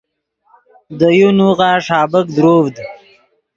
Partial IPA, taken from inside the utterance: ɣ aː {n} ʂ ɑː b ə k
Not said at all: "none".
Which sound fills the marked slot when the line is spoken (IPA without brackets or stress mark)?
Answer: none